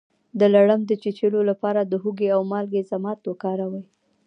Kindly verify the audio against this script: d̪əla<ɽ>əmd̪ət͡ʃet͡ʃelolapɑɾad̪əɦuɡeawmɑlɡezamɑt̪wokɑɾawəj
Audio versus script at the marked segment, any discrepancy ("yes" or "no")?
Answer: no